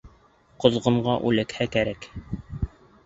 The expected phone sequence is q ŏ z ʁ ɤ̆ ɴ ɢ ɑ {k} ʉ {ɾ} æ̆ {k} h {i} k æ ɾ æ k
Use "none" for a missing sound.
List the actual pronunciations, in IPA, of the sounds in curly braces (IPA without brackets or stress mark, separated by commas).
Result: ʔ, l, k, æ